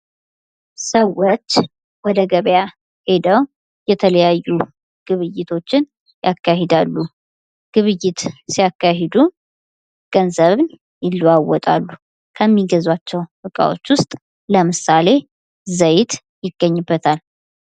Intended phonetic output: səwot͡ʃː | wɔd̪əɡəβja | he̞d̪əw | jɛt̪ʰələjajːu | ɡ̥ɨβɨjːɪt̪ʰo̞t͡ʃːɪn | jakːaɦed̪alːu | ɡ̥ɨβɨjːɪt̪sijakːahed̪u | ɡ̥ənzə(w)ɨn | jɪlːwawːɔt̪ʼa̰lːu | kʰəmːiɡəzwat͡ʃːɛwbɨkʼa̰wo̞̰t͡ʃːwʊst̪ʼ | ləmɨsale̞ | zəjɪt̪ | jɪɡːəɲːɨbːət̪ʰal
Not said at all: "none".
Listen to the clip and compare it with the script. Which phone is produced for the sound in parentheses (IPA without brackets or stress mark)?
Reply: β